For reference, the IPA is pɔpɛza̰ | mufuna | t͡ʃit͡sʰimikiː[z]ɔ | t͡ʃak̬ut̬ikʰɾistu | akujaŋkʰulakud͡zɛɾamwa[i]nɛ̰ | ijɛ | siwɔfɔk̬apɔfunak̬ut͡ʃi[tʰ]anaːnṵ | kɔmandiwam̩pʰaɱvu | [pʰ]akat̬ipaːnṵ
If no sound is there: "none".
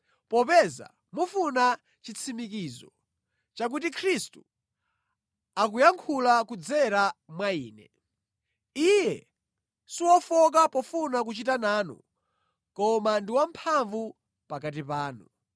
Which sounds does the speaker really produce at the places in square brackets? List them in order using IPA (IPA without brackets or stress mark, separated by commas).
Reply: z, iː, t, p